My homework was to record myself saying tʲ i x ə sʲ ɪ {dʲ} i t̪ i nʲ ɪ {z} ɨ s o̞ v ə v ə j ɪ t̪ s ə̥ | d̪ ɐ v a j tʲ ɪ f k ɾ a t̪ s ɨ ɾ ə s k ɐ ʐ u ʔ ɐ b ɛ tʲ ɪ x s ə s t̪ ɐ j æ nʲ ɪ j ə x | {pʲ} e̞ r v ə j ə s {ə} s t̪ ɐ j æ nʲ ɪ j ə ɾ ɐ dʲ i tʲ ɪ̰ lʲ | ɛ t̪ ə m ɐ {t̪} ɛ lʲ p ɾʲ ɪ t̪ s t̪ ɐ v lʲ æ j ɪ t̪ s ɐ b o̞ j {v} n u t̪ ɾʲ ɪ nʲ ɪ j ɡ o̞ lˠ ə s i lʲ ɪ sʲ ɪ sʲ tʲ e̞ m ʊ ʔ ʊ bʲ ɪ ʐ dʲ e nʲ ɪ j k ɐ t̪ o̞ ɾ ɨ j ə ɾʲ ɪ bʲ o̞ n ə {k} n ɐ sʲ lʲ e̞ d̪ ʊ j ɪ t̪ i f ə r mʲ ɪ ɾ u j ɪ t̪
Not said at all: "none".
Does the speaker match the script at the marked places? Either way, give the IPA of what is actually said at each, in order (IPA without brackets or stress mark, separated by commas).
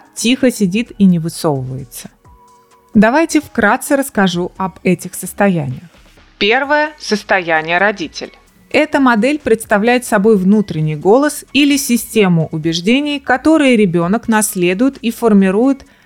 dʲ, v, pʲ, ə, d̪, v, k